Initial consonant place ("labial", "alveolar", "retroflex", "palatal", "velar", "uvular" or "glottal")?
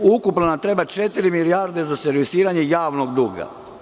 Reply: velar